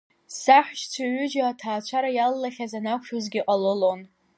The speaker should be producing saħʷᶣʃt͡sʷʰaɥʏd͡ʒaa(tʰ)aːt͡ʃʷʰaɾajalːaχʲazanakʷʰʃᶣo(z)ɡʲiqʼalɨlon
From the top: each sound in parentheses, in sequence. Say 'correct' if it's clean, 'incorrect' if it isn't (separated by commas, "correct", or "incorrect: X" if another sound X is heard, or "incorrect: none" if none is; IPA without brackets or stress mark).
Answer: correct, correct